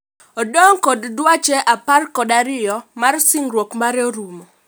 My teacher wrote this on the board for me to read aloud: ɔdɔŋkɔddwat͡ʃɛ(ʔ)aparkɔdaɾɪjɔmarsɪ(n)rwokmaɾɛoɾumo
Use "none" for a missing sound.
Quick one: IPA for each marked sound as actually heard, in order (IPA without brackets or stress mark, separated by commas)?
ʔ, ŋ